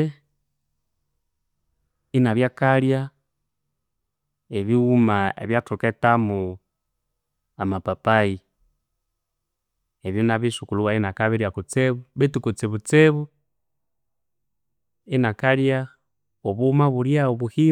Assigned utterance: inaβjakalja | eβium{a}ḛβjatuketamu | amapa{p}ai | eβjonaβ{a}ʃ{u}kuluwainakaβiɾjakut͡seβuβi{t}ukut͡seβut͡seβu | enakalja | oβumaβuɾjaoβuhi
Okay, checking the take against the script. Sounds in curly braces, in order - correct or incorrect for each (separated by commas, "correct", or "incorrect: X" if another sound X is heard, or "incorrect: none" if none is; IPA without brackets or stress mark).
correct, correct, incorrect: i, correct, correct